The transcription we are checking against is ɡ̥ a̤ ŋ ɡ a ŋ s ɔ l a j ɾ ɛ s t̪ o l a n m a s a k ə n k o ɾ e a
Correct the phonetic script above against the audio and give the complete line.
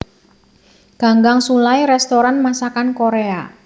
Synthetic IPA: ɡ̥ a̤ ŋ ɡ a ŋ s u l a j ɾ ɛ s t̪ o ɾ a n m a s a k a n k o ɾ e a